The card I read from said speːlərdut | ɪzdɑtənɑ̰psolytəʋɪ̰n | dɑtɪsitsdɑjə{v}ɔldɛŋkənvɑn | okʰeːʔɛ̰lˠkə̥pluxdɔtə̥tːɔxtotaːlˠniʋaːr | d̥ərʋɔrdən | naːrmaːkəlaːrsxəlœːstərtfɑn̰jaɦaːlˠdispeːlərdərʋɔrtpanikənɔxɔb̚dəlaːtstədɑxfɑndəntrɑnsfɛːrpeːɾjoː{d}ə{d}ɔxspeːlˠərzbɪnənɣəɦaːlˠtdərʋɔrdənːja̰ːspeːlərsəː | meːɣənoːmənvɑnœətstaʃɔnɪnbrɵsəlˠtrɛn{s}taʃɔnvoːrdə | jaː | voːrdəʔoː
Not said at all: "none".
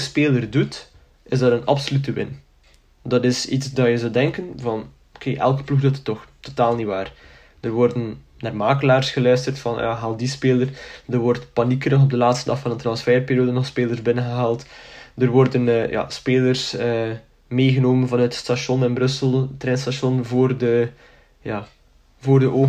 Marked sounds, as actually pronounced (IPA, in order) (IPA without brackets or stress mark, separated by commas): z, d, n, s